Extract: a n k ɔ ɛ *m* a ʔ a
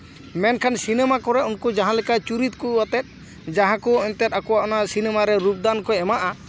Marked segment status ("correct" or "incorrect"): correct